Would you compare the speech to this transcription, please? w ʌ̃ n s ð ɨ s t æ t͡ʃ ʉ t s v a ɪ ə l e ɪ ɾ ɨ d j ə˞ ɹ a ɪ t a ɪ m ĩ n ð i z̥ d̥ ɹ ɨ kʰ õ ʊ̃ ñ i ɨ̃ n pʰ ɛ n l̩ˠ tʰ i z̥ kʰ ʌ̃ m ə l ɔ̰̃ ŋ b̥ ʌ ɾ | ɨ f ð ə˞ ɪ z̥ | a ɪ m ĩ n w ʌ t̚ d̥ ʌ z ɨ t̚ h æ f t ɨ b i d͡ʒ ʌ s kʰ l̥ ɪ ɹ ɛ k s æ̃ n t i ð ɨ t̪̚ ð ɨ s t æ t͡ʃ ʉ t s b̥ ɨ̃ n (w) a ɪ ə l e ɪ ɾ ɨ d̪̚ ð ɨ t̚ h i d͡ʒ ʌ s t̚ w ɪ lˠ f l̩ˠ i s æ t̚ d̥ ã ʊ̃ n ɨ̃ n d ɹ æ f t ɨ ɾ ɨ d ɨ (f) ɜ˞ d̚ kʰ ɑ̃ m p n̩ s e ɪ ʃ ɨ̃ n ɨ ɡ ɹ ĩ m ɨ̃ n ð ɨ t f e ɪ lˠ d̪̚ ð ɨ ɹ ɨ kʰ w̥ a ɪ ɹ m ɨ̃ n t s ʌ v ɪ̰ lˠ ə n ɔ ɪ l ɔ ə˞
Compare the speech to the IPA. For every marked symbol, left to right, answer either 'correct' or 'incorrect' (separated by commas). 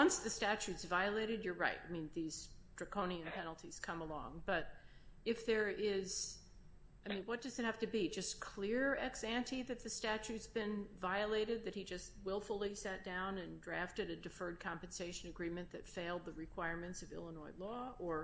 incorrect, correct